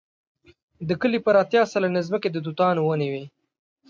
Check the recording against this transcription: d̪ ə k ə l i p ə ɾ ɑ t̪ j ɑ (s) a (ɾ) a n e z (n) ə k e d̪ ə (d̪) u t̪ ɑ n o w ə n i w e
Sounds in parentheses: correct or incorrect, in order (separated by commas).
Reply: correct, incorrect, incorrect, correct